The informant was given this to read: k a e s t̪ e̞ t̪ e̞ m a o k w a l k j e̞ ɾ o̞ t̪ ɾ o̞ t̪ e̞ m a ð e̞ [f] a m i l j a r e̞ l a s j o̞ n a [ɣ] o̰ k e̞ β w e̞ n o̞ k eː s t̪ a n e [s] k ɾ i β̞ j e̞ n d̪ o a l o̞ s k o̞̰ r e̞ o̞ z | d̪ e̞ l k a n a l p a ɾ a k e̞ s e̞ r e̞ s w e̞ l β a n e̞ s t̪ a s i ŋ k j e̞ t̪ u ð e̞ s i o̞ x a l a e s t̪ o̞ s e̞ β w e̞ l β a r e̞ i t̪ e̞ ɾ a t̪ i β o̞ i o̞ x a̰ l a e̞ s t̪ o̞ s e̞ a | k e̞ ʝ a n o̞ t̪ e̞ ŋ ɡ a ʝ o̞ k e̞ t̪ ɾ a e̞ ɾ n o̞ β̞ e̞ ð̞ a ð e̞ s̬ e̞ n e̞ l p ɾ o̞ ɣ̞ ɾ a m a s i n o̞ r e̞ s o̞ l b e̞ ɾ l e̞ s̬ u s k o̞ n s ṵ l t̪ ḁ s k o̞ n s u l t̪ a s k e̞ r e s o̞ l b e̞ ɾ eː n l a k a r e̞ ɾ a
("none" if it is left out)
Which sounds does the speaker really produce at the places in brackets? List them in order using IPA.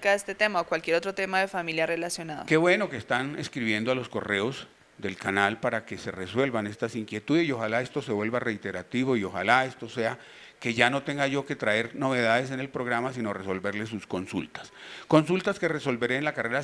f, ð, s

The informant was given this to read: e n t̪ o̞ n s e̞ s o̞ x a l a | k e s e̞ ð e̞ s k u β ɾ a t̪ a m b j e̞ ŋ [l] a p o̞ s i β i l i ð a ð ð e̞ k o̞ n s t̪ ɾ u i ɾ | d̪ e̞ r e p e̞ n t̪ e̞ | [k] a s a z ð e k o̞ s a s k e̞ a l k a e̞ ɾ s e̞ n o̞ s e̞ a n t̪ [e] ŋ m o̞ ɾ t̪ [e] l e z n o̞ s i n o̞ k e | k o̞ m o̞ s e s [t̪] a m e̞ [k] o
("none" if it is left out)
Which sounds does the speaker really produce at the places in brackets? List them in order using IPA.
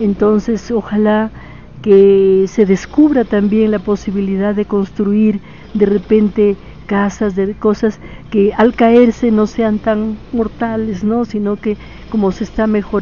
l, k, a, a, t̪, x

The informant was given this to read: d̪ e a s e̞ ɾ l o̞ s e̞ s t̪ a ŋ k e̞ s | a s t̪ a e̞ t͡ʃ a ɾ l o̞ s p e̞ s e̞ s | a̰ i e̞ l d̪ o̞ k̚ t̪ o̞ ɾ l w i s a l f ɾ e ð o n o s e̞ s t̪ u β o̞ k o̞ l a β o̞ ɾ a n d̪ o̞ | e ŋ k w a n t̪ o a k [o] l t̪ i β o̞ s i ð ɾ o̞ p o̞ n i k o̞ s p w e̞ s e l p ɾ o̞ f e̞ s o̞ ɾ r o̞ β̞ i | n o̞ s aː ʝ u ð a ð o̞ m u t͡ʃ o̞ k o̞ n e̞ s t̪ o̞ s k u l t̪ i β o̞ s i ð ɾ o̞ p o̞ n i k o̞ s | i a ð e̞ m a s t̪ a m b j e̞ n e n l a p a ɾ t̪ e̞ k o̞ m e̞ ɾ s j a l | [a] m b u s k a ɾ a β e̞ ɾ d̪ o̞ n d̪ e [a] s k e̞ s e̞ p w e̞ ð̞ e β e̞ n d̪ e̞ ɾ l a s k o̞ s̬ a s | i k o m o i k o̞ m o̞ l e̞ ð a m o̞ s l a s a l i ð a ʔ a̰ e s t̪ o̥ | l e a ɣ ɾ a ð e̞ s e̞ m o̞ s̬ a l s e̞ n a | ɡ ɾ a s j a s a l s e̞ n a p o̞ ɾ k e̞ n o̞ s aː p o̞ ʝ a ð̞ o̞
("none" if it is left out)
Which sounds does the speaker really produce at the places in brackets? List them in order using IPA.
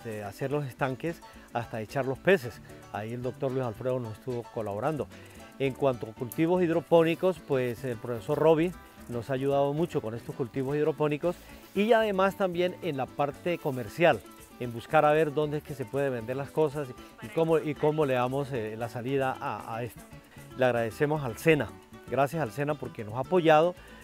u, e, e

